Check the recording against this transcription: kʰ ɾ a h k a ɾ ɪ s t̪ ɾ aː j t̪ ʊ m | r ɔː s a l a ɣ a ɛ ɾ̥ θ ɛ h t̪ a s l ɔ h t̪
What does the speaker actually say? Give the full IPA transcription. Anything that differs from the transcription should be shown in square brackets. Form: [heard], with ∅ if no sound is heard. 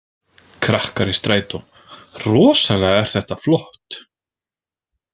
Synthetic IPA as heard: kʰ ɾ a h k a ɾ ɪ s t̪ ɾ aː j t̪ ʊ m | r ɔː s a l [ɛ] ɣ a ɛ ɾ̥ θ ɛ h t̪ a [f] l ɔ h t̪